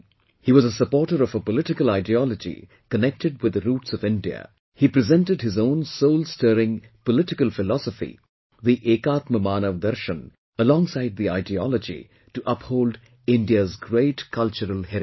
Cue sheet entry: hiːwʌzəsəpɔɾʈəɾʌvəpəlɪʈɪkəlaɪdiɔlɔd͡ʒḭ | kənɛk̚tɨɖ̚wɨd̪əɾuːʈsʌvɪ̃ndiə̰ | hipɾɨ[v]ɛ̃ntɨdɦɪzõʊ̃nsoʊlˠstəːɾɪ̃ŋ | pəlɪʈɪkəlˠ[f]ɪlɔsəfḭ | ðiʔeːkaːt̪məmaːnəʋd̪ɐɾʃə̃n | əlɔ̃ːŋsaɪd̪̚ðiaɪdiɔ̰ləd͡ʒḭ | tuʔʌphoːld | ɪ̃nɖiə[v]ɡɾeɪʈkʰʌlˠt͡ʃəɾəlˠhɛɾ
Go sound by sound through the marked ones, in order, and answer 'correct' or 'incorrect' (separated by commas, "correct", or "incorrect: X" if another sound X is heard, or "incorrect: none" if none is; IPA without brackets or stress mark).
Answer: incorrect: z, correct, incorrect: z